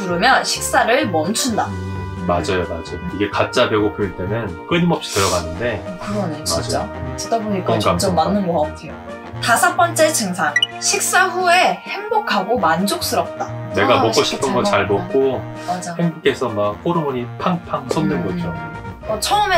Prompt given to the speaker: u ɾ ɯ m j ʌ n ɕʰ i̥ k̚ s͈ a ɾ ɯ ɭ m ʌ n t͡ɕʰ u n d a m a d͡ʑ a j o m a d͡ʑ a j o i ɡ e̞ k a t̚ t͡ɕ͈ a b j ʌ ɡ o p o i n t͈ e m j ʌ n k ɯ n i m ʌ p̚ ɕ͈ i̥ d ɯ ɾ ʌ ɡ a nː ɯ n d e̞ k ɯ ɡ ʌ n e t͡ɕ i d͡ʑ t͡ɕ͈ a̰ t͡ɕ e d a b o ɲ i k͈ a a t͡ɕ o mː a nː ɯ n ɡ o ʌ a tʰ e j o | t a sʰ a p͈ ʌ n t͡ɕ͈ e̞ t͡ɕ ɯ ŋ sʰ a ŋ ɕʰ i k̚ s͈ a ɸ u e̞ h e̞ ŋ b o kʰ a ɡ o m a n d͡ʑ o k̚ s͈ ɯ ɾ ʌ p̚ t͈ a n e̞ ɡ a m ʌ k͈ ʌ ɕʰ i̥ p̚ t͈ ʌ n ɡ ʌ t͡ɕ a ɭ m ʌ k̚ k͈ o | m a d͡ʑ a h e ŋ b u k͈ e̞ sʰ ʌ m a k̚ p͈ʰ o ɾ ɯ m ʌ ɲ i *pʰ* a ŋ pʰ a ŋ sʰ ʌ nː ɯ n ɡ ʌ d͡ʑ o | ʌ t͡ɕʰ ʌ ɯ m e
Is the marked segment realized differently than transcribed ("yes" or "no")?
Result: no